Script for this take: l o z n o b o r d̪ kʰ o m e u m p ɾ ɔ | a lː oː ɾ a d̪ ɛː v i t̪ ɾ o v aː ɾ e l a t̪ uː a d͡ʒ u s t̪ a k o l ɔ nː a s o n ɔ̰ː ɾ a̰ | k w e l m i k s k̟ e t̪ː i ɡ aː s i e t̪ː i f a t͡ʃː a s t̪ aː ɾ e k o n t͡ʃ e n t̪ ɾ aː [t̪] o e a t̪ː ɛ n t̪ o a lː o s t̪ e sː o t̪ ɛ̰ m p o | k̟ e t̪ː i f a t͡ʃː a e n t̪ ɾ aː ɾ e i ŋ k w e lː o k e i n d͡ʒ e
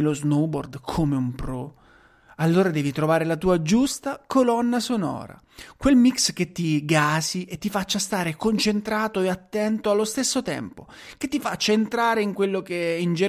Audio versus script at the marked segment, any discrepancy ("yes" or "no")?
no